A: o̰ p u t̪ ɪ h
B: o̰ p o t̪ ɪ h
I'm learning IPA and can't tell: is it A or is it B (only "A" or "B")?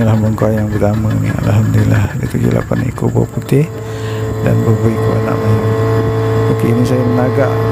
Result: A